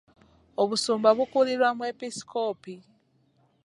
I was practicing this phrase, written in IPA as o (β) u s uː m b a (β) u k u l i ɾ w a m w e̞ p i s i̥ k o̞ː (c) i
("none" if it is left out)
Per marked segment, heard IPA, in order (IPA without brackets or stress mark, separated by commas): β, β, p